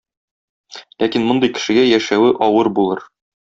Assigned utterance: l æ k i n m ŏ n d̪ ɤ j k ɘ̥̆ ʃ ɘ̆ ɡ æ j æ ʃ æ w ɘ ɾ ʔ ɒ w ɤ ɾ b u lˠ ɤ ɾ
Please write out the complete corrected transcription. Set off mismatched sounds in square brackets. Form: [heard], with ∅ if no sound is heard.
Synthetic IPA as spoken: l æ k i n m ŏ n d̪ ɤ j k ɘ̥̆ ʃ ɘ̆ ɡ æ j æ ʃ æ w ɘ [∅] ʔ ɒ w ɤ ɾ b u lˠ ɤ ɾ